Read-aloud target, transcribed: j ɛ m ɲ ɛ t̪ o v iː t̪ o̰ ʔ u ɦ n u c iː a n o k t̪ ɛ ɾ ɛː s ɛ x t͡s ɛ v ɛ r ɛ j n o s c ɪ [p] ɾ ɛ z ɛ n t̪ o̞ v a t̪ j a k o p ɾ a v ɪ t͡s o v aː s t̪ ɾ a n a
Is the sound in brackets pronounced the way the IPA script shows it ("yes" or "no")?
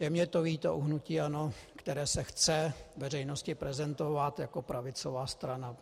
yes